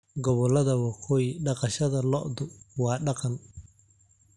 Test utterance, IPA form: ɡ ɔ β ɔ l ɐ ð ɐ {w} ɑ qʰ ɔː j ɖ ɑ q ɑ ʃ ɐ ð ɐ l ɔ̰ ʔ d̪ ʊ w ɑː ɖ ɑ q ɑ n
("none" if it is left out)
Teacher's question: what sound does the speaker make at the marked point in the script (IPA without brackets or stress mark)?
w